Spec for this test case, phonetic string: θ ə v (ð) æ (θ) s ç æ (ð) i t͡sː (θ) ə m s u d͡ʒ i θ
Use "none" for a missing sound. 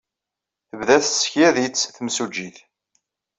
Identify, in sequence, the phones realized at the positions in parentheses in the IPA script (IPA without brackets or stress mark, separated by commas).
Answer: ð, θ, ð, θ